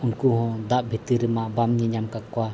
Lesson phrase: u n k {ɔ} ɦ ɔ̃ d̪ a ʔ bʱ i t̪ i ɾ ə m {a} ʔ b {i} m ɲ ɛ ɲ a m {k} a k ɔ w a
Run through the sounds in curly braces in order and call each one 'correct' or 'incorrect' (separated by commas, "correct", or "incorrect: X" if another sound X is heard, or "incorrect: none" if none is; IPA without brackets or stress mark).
incorrect: u, correct, incorrect: a, correct